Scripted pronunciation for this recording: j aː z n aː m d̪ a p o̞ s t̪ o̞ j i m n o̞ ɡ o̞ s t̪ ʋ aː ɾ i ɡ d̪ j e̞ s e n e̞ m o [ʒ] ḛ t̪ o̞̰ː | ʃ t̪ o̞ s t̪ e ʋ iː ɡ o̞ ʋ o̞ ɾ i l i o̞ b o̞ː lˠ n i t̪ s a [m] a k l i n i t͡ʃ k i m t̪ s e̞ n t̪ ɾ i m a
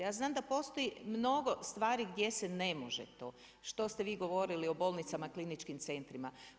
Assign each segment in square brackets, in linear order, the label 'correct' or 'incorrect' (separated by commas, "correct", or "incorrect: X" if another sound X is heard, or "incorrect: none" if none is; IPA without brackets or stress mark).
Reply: correct, correct